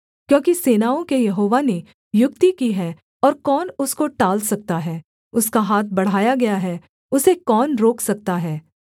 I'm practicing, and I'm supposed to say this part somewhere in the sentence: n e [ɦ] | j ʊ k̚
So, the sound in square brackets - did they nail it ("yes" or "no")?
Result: no